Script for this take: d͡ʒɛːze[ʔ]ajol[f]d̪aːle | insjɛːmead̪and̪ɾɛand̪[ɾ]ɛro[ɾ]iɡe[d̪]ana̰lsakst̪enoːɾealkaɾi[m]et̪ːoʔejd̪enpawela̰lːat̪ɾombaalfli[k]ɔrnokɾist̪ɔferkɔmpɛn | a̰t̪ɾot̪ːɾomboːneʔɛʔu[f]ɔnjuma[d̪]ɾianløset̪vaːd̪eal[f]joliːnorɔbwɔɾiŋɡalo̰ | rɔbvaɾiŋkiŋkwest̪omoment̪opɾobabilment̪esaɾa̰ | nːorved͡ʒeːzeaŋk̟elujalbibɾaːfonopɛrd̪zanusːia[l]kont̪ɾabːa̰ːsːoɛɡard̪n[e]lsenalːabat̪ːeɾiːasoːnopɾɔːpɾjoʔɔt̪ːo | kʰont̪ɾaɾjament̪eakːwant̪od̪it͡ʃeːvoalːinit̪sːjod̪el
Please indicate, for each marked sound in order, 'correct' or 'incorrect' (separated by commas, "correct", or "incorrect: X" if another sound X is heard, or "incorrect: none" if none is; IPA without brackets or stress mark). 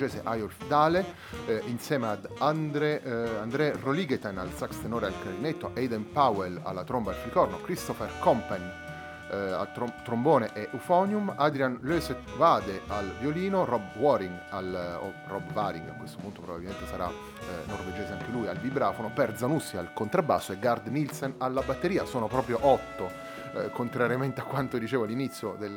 correct, correct, correct, incorrect: l, incorrect: t̪, incorrect: n, correct, correct, correct, incorrect: v, correct, incorrect: i